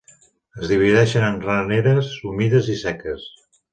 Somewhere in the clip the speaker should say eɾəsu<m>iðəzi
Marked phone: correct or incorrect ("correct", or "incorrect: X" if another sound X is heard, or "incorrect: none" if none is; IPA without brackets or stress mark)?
correct